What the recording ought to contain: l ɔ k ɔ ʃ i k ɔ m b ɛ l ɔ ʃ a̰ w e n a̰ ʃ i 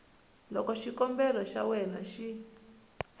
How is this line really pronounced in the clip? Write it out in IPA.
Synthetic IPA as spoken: l ɔ k ɔ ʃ i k ɔ m b ɛ l ɔ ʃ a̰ w ɛ n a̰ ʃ i

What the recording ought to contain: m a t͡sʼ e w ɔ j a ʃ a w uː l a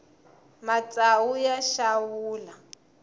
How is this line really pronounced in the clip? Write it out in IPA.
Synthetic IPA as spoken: m a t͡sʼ a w u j a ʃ a w uː l a

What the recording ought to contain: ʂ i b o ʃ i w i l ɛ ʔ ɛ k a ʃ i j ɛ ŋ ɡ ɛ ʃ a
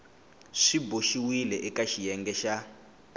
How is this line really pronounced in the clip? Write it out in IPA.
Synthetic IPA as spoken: ʂ i b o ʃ i w i l ɛ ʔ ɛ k a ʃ i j ɛ ŋ ɡ ɛ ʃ a

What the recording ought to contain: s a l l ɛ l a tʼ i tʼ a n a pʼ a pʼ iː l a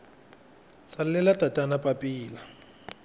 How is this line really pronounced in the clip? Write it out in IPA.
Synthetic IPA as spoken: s a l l ɛ l a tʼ a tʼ a n a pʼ a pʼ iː l a

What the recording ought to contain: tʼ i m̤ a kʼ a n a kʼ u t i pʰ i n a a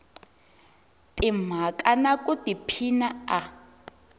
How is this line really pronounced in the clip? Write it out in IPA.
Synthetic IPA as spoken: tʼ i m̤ a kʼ a n a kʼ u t i pʰ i n a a

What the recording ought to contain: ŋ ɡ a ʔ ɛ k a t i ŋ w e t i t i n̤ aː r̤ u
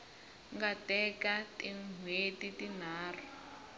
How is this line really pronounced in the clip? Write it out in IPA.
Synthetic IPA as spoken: ŋ ɡ a t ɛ k a t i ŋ w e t i t i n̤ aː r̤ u

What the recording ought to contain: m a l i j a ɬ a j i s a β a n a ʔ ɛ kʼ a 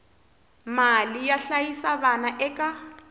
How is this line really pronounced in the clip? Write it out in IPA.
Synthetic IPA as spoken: m a l i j a ɬ a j i s a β a n a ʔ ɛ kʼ a

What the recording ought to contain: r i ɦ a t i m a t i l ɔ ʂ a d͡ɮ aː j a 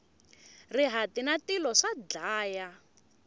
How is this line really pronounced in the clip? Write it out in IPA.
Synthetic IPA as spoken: r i ɦ a t i n a t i l ɔ ʂ a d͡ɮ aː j a

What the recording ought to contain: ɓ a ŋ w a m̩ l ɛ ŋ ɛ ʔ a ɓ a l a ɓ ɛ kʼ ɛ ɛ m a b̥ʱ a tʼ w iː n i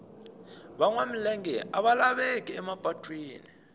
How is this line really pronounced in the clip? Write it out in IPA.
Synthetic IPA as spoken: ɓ a ŋ w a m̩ l ɛ ŋ ɛ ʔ a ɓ a l a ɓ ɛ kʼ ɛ ɛ m a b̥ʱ a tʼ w iː n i

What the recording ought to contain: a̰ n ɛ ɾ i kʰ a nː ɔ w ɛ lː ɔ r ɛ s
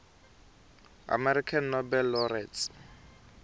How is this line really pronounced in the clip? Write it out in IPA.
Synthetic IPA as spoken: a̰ m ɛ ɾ i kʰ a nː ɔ b ɛ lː ɔ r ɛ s

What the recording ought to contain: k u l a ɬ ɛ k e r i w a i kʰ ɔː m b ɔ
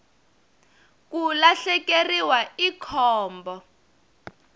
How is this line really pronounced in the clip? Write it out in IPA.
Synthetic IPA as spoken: k u l a ɬ ɛ k e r i w a i kʰ ɔː m b ɔ

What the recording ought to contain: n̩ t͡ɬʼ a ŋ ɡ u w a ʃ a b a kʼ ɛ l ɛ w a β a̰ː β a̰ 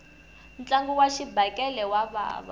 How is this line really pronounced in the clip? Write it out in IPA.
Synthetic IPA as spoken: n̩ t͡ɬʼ a ŋ ɡ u w a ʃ i b a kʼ ɛ l ɛ w a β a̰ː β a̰

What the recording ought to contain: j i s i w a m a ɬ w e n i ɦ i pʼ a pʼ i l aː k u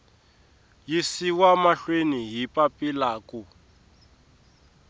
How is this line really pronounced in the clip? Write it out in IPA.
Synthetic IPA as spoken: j i s i w a m a ɬ w e n i ɦ i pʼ a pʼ i l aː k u

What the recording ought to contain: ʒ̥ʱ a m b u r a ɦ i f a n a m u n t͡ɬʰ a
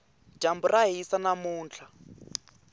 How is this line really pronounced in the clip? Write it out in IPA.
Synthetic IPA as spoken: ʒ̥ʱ a m b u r a ɦ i s a n a m uː n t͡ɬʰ a

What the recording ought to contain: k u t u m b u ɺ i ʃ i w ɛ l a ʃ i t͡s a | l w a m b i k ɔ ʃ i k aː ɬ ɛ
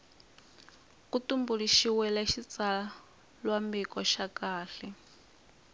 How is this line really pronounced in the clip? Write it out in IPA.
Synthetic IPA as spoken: k u t u m b u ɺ i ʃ i w ɛ l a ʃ i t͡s a | l w a m b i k ɔ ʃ a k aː ɬ ɛ

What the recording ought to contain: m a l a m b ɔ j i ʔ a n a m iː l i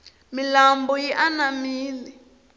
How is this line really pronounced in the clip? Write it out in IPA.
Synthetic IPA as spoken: m i l a m b ɔ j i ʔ a n a m iː l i

